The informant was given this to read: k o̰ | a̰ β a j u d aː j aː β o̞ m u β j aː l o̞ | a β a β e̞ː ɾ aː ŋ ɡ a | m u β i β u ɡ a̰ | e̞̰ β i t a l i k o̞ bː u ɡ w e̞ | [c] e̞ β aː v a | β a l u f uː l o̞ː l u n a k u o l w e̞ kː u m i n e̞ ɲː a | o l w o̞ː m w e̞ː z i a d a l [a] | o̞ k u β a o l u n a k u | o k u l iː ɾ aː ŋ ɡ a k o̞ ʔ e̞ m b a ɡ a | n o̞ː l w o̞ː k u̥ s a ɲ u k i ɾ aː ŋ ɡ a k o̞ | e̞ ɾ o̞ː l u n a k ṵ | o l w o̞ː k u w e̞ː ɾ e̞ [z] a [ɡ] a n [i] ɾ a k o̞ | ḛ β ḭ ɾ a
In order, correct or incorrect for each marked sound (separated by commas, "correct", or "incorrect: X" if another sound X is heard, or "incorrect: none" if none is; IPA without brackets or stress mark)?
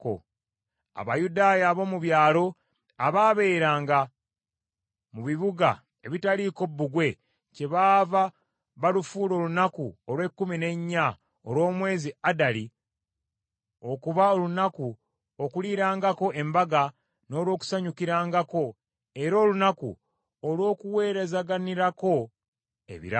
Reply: correct, incorrect: i, correct, correct, correct